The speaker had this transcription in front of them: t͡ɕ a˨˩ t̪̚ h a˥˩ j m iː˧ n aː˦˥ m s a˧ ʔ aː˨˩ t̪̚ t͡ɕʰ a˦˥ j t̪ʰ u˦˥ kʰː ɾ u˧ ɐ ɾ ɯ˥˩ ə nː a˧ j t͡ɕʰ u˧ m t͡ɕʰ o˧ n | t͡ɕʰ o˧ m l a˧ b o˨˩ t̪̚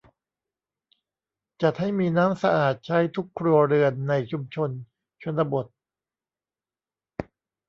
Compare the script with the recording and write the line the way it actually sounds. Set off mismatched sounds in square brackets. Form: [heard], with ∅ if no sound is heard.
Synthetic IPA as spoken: t͡ɕ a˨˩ t̪̚ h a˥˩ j m iː˧ n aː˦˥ m s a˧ ʔ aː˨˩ t̪̚ t͡ɕʰ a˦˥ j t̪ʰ u˦˥ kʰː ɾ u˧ ɐ ɾ [ɯ˧] ə nː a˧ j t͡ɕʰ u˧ m t͡ɕʰ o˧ n | t͡ɕʰ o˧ [n] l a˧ b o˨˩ t̪̚